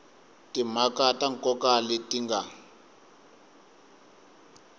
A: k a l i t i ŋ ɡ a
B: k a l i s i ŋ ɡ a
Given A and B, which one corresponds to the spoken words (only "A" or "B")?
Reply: A